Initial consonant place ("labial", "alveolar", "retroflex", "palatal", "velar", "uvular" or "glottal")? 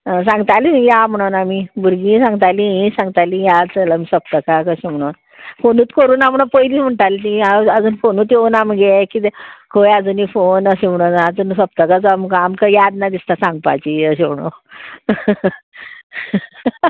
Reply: alveolar